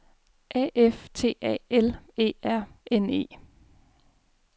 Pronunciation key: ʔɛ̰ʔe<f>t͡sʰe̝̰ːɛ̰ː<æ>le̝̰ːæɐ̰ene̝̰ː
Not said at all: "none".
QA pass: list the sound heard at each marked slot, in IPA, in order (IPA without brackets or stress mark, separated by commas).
f, e